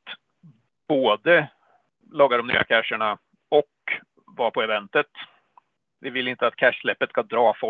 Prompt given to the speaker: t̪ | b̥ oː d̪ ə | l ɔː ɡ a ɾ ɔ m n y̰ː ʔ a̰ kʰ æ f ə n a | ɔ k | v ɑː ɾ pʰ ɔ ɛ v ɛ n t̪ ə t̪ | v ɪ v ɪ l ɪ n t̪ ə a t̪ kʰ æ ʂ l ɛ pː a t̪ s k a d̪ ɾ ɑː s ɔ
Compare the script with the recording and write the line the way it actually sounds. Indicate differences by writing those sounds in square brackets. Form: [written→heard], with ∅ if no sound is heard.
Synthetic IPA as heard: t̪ | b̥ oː d̪ ə | l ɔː ɡ a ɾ ɔ m n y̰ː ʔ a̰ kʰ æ [f→ʂ] ə [n→ɳ] a | ɔ k | v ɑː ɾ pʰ ɔ ɛ v ɛ n t̪ ə t̪ | v ɪ v ɪ l ɪ n t̪ ə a t̪ kʰ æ ʂ l ɛ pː [a→ə] t̪ s k a d̪ ɾ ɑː [s→f] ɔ